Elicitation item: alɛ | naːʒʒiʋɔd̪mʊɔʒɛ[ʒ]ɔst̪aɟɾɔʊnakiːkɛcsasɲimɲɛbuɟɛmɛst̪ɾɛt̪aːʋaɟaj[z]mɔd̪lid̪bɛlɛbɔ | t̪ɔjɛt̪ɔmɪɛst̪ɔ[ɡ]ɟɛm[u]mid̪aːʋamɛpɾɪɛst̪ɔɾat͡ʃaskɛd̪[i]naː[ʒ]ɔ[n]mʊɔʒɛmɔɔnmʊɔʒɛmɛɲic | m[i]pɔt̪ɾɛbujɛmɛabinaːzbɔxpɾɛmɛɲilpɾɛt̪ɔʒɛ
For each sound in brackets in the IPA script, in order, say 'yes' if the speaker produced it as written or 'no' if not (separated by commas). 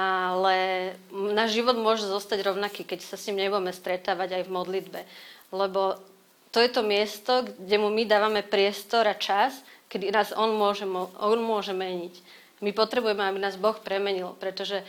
no, no, yes, yes, yes, no, yes, yes